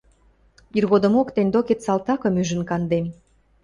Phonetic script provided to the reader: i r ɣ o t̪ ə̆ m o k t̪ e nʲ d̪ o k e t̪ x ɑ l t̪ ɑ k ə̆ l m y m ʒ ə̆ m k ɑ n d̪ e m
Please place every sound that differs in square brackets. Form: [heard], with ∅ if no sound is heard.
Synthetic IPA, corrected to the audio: i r ɣ o [d̪] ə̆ m o k t̪ e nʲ d̪ o k e t̪ [s] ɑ l t̪ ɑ k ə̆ [∅] m y [∅] ʒ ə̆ [n] k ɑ n d̪ e m